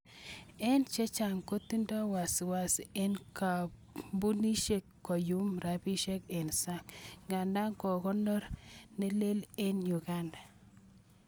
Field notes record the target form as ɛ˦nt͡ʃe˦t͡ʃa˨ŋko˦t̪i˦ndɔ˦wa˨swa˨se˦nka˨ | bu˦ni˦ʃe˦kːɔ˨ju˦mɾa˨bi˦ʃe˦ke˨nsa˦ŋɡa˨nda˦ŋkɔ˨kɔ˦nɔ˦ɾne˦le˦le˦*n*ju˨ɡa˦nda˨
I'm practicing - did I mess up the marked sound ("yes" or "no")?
no